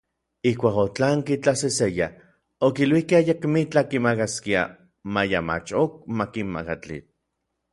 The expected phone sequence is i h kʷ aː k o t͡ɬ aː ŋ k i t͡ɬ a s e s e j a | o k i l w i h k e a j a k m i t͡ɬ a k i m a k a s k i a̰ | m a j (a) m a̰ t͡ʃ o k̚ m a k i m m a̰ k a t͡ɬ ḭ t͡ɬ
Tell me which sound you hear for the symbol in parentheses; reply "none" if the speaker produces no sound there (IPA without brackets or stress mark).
a